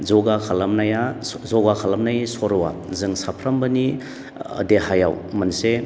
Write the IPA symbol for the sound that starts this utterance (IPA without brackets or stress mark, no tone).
z